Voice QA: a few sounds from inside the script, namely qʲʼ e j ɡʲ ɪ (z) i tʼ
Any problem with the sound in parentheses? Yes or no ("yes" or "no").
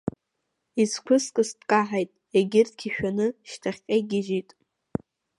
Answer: yes